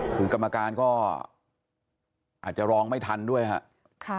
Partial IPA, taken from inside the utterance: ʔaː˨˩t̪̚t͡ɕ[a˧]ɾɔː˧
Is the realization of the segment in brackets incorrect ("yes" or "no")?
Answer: yes